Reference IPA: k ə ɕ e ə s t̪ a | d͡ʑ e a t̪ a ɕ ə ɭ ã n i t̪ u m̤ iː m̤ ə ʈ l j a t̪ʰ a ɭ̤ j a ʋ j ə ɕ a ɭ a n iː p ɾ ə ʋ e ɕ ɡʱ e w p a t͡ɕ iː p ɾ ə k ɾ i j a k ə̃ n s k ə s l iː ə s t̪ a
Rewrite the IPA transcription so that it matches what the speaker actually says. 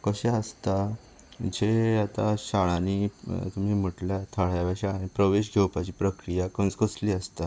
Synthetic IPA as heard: k ə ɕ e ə s t̪ a | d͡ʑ e a t̪ a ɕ a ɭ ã n i t̪ u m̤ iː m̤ ə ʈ l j a t̪ʰ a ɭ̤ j a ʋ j a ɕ a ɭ a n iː p ɾ ə ʋ e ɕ ɡʱ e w p a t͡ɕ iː p ɾ ə k ɾ i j a k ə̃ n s k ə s l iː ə s t̪ a